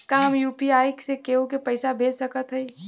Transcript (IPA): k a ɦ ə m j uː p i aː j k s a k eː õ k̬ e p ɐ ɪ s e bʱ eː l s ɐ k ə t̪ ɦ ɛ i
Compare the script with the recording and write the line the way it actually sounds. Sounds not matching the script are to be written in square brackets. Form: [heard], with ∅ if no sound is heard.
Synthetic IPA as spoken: k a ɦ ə m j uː p i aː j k s [e] k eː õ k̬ e p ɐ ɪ s [a] bʱ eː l s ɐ k ə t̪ ɦ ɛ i

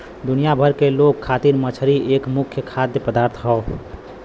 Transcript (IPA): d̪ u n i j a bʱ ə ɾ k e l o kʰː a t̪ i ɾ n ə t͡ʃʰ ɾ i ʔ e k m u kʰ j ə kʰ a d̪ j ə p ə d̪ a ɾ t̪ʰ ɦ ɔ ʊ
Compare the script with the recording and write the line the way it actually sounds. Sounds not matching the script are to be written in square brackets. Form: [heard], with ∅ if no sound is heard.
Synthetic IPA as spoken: d̪ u n i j a bʱ ə ɾ k e l o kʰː a t̪ i ɾ [m] ə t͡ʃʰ ɾ i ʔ e k m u kʰ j ə kʰ a d̪ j ə p ə d̪ a ɾ t̪ʰ ɦ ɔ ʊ

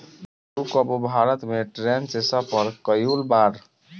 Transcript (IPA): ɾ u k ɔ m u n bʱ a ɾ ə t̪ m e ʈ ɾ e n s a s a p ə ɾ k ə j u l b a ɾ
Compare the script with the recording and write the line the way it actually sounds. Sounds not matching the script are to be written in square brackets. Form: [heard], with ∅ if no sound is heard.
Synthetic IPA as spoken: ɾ u k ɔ [b] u [∅] bʱ a ɾ ə t̪ m e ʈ ɾ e n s [e] s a p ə ɾ k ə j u l b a ɾ

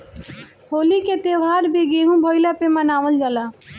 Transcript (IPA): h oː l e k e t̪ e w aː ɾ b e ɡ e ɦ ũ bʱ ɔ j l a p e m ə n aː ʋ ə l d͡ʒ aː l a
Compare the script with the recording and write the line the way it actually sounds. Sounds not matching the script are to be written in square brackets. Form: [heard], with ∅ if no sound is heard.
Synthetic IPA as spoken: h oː l [i] k e t̪ e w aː ɾ b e ɡ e ɦ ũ bʱ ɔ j l a p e m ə n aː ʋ ə l d͡ʒ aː l a

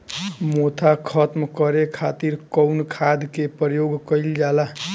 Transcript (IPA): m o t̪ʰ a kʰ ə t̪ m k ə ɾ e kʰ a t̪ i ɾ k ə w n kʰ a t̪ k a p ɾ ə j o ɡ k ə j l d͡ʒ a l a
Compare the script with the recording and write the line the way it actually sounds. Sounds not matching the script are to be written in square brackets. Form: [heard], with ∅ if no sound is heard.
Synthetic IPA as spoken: m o t̪ʰ a kʰ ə t̪ m k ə ɾ e kʰ a t̪ i ɾ k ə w n kʰ a [d̪] k [e] p ɾ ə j o ɡ k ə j l d͡ʒ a l a

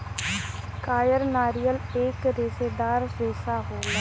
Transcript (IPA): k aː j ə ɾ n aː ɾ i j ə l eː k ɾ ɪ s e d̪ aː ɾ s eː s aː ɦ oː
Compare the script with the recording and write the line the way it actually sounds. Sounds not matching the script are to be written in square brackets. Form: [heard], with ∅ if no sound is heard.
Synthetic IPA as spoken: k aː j ə ɾ n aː ɾ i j ə l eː k ɾ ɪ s e d̪ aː ɾ s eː s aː ɦ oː

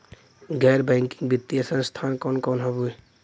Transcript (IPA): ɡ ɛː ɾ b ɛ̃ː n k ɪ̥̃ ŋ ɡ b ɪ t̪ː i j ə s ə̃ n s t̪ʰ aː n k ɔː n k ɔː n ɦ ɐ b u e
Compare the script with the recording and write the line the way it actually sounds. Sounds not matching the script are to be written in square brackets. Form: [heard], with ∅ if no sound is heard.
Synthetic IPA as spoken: ɡ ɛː ɾ b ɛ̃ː [ŋ] k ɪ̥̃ ŋ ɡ b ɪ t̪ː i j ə s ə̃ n s t̪ʰ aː n k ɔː n k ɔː n ɦ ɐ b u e

